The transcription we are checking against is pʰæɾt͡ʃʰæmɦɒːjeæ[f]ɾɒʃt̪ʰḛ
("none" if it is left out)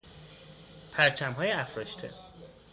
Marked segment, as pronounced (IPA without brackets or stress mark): f